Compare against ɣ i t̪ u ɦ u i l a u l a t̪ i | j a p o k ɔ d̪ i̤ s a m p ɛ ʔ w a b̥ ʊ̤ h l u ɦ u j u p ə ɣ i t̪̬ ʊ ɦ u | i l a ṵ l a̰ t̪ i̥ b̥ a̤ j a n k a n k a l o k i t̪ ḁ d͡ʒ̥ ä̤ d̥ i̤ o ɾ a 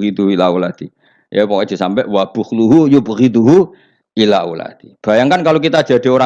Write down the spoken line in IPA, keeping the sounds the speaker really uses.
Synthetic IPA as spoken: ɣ i t̪ u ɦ u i l a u l a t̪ i | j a p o k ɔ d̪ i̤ s a m p ɛ ʔ w a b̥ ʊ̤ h l u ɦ u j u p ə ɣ i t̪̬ u ɦ u | i l a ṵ l a̰ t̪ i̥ b̥ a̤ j a ŋ k a n k a l o k i t̪ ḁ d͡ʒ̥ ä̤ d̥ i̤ o ɾ a